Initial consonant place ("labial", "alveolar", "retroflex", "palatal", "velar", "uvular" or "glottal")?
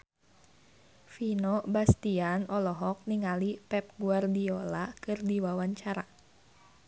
labial